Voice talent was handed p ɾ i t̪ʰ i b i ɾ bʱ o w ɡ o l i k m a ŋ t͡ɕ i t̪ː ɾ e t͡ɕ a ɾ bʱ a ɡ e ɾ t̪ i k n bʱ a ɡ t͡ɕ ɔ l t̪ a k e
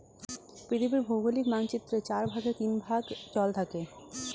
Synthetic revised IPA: p ɾ i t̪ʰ i b i ɾ bʱ o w ɡ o l i k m a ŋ t͡ɕ i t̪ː ɾ e t͡ɕ a ɾ bʱ a ɡ e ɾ t̪ i n bʱ a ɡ t͡ɕ ɔ l t̪ʰ a k e